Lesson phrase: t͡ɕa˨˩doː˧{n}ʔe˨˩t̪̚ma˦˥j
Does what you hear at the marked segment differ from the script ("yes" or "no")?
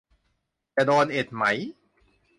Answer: no